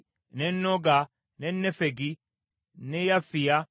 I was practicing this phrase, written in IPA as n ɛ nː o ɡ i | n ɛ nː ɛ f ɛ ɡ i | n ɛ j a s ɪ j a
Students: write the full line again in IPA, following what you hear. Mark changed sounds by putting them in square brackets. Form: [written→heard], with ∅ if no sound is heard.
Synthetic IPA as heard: n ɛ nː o ɡ [i→a] | n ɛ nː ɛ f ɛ ɡ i | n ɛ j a [s→f] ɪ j a